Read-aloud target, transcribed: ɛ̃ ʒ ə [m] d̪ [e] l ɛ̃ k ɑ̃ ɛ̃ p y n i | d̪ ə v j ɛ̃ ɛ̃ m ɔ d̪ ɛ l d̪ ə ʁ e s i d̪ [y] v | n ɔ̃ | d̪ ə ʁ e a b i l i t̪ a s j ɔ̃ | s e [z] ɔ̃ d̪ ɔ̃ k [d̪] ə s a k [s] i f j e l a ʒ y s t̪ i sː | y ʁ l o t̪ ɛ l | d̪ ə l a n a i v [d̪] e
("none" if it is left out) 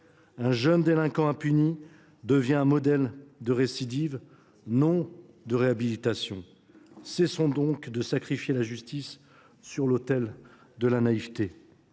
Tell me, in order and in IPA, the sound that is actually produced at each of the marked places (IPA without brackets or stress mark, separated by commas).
n, e, i, s, d̪, χ, t̪